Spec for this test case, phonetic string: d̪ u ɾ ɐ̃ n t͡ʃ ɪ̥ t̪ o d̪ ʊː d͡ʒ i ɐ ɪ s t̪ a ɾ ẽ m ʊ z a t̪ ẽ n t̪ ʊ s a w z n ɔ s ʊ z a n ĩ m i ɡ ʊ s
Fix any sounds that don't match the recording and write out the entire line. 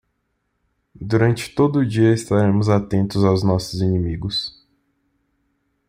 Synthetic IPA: d̪ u ɾ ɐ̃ n t͡ʃ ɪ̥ t̪ o d̪ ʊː d͡ʒ i ɐ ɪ s t̪ a ɾ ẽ m ʊ z a t̪ ẽ n t̪ ʊ z a w z n ɔ s ʊ z i n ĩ m i ɡ ʊ s